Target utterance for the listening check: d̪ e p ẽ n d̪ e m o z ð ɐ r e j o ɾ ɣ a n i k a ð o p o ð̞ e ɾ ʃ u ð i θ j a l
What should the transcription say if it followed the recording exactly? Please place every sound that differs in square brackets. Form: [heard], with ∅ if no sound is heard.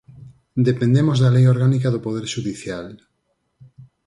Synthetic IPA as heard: d̪ e p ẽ n d̪ e m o z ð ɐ [l] e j o ɾ ɣ a n i k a ð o p o ð̞ e ɾ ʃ u ð i θ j a l